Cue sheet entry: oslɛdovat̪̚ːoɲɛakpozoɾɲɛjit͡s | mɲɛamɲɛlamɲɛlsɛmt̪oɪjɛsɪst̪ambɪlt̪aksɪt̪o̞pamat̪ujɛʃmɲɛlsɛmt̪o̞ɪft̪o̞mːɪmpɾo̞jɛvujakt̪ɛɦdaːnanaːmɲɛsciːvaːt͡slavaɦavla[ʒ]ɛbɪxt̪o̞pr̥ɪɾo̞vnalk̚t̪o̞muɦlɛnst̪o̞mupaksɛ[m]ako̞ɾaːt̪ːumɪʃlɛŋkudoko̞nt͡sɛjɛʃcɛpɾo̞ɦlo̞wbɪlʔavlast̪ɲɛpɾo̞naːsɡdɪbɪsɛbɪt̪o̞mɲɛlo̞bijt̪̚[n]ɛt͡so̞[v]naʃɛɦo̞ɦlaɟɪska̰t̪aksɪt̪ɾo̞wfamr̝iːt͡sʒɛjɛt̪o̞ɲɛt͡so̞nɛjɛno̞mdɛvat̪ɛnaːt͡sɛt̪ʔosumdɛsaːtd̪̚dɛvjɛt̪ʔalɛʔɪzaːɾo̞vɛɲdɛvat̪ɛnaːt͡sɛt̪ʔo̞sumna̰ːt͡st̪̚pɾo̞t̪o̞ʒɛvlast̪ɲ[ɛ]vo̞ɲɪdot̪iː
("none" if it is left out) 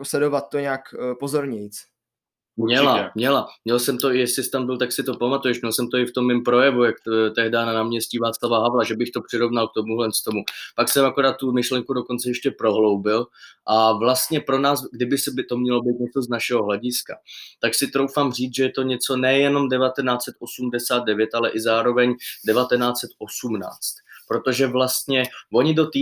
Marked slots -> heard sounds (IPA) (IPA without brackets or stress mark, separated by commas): ʒ, m, ɲ, z, ɛ